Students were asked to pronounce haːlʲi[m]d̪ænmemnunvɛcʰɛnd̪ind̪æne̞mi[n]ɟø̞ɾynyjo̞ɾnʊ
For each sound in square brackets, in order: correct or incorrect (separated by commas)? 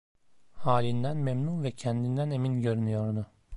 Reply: incorrect, correct